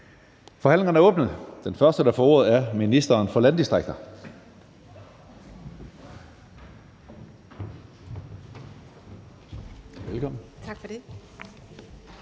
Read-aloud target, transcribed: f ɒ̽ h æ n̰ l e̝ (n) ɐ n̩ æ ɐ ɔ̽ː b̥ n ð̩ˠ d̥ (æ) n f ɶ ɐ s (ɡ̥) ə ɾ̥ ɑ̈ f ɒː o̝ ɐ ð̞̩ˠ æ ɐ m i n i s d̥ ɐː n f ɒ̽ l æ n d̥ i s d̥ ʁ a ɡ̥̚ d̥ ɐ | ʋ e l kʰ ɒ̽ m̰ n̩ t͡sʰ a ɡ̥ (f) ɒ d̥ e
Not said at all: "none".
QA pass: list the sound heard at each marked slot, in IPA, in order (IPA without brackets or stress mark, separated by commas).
ŋ, e, d̥, f